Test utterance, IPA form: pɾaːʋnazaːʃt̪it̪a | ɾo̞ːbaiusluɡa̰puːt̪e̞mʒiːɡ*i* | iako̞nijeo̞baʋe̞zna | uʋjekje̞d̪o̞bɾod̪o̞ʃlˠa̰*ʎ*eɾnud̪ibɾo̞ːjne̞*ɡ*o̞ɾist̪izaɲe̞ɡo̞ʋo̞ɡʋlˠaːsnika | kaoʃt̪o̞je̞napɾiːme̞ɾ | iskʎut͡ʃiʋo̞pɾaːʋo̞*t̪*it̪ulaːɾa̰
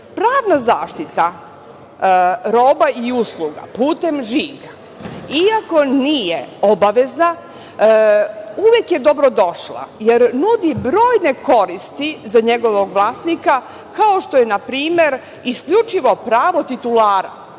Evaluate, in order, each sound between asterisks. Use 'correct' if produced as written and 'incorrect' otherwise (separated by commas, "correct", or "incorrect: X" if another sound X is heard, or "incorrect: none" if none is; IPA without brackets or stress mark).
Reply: incorrect: a, incorrect: j, incorrect: k, correct